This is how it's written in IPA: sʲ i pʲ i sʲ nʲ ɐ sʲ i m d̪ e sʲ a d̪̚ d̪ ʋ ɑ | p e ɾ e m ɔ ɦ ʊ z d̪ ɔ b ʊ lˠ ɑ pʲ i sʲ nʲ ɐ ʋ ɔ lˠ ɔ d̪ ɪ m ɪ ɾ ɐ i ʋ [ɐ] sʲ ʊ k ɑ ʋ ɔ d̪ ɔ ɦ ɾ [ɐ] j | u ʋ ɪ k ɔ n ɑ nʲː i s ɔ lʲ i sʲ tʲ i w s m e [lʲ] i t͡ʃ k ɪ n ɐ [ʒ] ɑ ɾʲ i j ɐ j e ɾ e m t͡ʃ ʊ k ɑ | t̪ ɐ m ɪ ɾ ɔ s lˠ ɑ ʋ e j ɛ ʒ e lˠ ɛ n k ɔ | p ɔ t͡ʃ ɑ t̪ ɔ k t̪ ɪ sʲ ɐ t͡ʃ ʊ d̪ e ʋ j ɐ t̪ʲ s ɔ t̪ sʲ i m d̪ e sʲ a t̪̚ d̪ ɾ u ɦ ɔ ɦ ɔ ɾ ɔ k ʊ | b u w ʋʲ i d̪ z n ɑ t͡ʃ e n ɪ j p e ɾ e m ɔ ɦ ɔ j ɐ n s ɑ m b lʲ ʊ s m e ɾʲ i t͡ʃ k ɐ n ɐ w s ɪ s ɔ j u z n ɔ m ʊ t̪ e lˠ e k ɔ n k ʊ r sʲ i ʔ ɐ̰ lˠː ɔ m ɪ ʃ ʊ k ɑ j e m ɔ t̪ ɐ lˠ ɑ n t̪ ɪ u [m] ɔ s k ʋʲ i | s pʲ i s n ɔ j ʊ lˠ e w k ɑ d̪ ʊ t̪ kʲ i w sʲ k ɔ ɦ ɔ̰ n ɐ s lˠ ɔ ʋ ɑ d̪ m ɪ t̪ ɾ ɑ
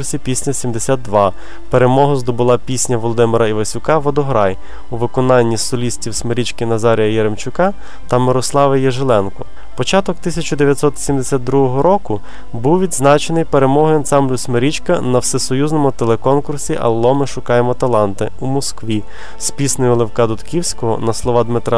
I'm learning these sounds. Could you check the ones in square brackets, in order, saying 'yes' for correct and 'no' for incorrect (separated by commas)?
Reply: yes, no, no, no, yes